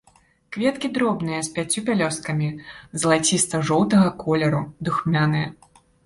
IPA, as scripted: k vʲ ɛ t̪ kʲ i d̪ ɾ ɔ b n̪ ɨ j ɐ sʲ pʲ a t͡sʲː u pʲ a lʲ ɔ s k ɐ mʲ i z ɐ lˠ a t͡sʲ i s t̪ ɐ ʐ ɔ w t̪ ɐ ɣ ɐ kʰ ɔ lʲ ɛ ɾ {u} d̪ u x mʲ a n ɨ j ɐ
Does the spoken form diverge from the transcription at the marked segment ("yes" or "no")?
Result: no